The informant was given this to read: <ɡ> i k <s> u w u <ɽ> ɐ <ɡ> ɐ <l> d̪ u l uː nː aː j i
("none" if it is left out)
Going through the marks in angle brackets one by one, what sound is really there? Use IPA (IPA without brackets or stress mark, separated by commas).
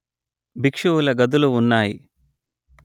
b, ʂ, l, ɡ, none